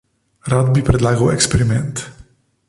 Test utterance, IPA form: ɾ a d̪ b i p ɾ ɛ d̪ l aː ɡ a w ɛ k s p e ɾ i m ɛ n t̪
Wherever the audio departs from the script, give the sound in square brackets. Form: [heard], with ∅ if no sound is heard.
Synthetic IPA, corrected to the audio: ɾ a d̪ b i p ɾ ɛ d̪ l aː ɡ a w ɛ k s p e ɾ i m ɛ n t̪

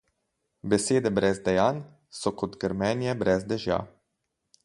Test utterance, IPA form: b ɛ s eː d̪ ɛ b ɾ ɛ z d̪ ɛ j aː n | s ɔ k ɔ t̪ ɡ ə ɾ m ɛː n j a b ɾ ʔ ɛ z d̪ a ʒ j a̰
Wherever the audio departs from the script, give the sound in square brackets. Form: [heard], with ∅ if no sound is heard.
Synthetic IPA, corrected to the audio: b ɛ s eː d̪ ɛ b ɾ ɛ z d̪ ɛ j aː n | s ɔ k ɔ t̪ ɡ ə ɾ m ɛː n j [ɛ] b ɾ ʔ ɛ z d̪ [ɛ] ʒ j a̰

